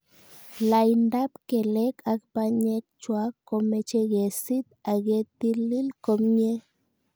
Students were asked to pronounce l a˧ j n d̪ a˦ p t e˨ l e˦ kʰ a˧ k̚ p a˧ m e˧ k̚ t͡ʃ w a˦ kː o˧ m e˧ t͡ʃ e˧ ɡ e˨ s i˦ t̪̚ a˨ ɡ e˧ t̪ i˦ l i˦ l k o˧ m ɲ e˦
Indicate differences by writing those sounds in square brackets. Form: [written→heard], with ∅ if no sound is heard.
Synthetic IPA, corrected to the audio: l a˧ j n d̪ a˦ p [t→k] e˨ l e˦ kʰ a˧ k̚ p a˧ [m→ɲ] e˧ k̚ t͡ʃ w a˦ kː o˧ m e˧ t͡ʃ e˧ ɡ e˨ s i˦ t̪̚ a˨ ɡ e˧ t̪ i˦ l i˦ l k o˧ m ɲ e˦